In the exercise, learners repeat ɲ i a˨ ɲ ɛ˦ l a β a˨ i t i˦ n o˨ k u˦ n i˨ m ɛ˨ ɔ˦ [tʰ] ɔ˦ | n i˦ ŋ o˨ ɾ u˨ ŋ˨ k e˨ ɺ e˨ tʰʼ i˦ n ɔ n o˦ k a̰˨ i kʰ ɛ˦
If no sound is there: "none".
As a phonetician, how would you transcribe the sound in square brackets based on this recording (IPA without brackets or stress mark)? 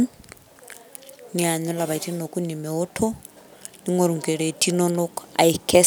tʰ